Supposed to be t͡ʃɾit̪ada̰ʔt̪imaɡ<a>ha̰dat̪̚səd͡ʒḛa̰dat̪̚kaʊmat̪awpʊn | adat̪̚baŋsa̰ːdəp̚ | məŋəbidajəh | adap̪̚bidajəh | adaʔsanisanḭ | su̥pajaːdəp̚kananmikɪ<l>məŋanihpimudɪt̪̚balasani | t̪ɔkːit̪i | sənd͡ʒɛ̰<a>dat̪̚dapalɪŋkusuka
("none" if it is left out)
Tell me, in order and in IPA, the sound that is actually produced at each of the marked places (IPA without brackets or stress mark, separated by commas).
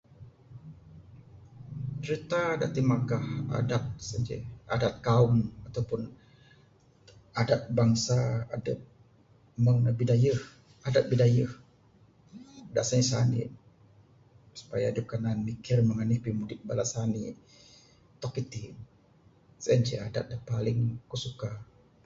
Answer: a, r, a